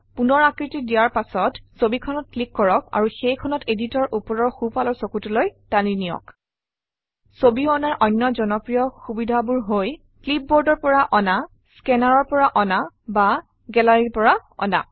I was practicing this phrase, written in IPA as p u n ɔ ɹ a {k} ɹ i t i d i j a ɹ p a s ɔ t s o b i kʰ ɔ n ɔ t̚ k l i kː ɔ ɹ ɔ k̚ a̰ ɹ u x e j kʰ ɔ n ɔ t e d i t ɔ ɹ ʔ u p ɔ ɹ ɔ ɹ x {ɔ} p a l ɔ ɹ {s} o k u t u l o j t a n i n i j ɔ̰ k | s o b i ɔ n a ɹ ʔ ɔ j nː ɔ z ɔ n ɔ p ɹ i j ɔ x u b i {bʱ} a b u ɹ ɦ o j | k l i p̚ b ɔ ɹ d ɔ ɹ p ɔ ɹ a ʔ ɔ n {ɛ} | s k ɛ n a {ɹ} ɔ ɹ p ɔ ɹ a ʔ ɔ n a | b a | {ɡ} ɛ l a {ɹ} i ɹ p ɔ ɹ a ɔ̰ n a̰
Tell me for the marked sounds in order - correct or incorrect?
correct, incorrect, correct, incorrect, incorrect, correct, correct, correct

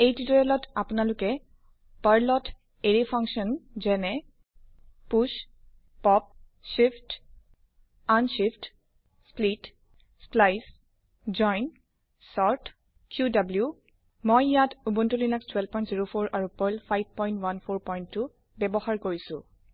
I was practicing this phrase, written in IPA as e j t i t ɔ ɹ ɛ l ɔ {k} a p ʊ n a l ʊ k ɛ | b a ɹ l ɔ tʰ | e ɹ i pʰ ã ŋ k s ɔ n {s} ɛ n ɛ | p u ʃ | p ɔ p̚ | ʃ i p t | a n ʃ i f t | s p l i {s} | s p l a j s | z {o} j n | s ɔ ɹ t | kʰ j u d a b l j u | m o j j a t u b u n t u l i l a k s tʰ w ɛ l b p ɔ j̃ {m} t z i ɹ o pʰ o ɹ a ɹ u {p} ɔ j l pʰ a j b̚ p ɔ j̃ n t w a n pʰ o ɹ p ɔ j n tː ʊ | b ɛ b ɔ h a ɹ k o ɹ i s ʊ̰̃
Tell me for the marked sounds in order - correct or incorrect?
incorrect, incorrect, incorrect, incorrect, incorrect, correct

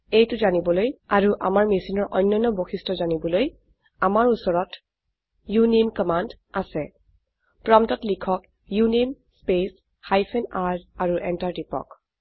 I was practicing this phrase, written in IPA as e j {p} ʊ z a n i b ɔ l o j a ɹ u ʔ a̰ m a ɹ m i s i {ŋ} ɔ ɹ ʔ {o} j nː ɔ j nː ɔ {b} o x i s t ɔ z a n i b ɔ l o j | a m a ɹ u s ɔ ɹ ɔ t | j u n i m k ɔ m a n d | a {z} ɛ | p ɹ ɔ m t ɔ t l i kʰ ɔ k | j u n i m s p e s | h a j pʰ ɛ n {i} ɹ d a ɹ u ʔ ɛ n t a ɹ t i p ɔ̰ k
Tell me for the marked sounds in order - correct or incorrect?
incorrect, incorrect, incorrect, correct, incorrect, incorrect

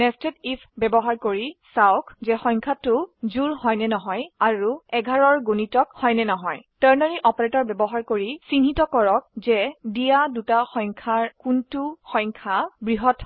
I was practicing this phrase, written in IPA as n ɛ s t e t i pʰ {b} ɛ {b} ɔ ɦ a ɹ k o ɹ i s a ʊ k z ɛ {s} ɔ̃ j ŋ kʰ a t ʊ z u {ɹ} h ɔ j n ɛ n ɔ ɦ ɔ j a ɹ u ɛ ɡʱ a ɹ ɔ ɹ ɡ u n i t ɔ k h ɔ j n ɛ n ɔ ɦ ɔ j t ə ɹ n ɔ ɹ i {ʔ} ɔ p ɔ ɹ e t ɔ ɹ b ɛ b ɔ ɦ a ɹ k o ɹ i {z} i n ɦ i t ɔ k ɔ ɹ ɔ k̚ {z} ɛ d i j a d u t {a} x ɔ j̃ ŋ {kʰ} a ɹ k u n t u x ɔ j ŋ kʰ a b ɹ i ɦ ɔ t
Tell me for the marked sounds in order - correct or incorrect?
correct, correct, incorrect, correct, correct, incorrect, correct, correct, correct

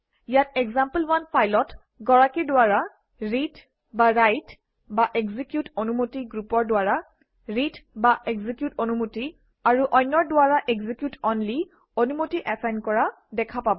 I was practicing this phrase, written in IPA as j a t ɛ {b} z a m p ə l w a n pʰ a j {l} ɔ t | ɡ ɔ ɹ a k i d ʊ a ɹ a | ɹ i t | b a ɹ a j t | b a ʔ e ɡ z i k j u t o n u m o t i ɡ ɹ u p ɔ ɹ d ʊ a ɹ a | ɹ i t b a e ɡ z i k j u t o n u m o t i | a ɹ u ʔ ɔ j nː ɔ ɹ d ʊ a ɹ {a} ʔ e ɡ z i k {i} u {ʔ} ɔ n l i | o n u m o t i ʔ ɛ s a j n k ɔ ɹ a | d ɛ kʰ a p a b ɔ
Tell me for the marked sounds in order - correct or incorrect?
incorrect, correct, correct, incorrect, incorrect

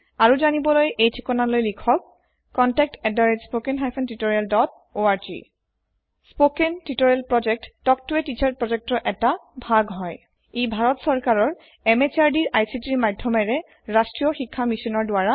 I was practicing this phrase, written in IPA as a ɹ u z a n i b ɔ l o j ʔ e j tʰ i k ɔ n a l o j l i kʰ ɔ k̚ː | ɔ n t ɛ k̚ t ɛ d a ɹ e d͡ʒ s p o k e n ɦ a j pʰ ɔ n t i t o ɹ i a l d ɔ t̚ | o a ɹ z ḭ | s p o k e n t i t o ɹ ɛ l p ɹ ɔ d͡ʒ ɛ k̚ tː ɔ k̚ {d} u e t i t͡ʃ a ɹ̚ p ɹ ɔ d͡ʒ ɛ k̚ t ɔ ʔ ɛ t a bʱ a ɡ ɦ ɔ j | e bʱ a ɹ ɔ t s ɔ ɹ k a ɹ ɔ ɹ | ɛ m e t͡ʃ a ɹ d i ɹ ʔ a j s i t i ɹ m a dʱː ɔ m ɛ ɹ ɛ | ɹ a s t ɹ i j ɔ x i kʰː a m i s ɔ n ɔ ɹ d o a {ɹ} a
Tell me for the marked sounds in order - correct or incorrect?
incorrect, correct

